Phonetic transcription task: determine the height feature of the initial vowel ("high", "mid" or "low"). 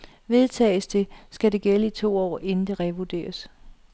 mid